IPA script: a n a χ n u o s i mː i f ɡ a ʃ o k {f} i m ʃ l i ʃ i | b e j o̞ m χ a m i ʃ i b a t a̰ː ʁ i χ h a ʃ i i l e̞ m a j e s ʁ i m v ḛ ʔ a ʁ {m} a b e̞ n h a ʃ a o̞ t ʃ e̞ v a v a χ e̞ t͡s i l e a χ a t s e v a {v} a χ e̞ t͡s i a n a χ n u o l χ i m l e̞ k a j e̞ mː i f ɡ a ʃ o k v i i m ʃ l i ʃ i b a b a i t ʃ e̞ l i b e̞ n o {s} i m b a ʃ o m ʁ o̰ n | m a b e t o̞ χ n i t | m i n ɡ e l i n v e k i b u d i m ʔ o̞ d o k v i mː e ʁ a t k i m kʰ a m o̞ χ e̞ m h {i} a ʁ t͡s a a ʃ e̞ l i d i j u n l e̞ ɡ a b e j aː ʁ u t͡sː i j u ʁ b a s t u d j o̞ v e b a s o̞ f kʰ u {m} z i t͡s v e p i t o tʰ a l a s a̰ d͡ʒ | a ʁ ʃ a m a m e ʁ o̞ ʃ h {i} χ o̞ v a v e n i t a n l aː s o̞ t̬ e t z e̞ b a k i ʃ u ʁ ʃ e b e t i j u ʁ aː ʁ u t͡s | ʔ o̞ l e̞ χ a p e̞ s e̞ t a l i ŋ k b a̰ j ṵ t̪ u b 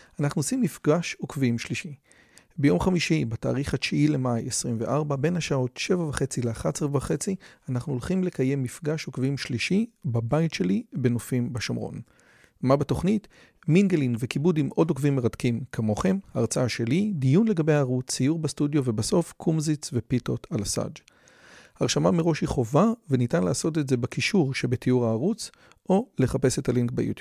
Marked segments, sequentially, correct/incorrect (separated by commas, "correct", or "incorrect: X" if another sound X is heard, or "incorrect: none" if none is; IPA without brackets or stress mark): incorrect: v, incorrect: b, correct, incorrect: f, incorrect: a, correct, correct